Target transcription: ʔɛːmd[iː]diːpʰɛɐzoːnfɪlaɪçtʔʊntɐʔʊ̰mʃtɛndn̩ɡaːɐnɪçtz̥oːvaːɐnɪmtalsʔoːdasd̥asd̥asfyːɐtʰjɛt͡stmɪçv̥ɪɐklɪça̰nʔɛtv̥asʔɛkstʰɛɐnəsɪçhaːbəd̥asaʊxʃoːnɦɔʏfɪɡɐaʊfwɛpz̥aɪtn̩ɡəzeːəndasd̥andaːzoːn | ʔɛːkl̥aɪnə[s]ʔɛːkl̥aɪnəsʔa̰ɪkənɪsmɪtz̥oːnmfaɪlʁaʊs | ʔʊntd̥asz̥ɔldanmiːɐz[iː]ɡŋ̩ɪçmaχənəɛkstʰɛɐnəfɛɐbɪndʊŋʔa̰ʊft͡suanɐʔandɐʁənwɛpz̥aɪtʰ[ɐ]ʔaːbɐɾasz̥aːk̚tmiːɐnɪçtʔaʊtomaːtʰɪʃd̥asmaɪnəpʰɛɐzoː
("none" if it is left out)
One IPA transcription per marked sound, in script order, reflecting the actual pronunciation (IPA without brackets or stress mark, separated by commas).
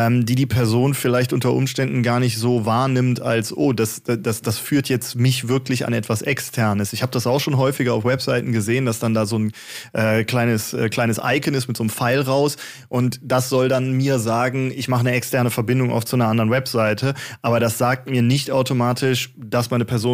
iː, s, aː, ə